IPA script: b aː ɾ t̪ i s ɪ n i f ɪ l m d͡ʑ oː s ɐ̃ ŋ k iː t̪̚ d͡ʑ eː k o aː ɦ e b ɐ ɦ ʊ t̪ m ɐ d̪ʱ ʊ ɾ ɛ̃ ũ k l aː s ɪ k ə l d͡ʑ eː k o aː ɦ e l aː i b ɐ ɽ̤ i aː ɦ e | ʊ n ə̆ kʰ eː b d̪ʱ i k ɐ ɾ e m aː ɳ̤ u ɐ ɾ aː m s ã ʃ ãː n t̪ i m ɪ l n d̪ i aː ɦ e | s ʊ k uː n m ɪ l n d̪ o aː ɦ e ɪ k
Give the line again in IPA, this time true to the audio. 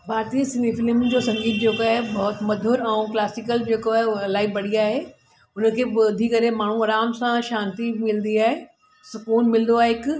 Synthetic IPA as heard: b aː ɾ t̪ i s ɪ n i f ɪ l m d͡ʑ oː s ɐ̃ ŋ ɡ iː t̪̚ d͡ʑ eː k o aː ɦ e b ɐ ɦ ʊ t̪ m ɐ d̪ʱ ʊ ɾ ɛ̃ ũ k l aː s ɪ k ə l d͡ʑ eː k o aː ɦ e l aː i b ɐ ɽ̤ i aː ɦ e | ʊ n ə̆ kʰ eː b d̪ʱ i k ɐ ɾ e m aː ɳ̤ u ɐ ɾ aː m s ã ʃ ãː n t̪ i m ɪ l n d̪ i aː ɦ e | s ʊ k uː n m ɪ l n d̪ o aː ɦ e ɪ k